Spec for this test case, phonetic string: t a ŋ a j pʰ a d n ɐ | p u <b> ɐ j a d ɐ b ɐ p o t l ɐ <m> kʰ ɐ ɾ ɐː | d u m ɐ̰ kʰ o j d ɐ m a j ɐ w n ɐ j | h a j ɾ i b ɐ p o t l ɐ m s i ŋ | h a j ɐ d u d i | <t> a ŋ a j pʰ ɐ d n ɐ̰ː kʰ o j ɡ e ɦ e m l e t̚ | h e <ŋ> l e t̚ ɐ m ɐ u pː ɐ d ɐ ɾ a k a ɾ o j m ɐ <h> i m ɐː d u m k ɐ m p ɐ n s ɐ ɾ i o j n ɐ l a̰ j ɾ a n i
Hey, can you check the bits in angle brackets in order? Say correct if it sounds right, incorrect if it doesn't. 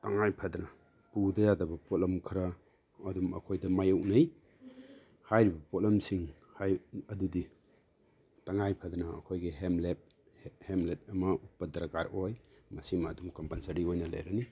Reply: incorrect: d, correct, correct, incorrect: m, incorrect: s

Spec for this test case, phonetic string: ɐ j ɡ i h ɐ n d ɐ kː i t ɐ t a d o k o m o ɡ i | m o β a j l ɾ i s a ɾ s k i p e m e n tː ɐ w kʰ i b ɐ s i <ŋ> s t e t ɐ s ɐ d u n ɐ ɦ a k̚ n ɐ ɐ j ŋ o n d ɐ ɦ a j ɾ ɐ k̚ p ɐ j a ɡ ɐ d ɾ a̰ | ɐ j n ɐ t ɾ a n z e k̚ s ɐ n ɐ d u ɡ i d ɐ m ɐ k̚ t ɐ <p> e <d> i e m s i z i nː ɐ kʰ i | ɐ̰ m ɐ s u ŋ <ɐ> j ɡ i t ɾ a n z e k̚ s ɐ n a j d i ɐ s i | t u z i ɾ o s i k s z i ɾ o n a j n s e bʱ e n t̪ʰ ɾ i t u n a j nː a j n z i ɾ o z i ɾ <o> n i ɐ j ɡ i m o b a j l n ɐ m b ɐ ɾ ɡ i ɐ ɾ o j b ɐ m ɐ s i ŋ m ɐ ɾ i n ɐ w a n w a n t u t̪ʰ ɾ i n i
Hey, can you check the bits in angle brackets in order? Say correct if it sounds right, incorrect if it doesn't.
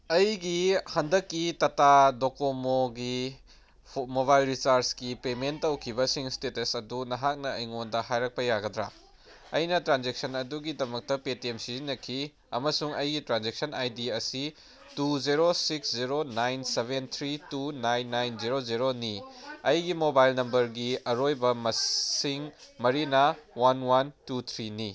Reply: correct, correct, incorrect: t, correct, correct

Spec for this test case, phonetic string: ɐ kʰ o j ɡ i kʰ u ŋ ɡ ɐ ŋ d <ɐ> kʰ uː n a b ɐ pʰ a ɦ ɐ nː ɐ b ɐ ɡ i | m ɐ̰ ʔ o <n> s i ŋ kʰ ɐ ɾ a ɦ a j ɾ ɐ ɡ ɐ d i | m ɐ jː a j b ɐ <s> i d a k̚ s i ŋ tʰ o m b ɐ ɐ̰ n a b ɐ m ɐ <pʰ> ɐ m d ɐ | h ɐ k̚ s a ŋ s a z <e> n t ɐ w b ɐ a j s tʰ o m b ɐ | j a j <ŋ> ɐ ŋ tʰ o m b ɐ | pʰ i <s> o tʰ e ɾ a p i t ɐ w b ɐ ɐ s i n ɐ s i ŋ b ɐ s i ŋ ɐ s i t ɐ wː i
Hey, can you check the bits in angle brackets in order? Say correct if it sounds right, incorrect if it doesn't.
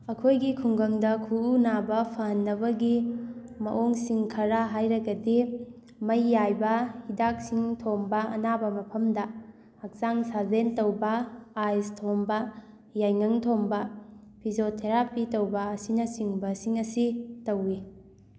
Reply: correct, incorrect: ŋ, incorrect: h, correct, correct, correct, incorrect: z

